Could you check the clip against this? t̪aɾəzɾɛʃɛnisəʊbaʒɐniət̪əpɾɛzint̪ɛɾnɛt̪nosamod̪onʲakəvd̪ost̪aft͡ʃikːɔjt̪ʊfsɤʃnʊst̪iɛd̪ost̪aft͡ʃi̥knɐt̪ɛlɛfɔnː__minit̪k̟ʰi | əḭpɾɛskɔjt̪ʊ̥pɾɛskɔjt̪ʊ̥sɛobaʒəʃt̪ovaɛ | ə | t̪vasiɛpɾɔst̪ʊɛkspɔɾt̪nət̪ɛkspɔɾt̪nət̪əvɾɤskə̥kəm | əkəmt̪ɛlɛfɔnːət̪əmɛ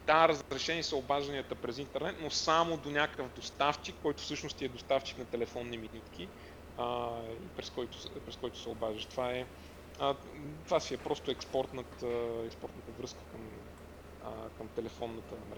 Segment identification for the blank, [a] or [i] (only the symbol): i